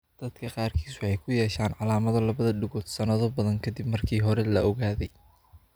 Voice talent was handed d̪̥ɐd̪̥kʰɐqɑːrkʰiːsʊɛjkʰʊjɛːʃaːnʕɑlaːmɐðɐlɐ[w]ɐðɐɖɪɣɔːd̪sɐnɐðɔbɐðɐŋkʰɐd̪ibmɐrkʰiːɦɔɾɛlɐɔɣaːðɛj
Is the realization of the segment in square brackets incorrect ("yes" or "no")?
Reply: yes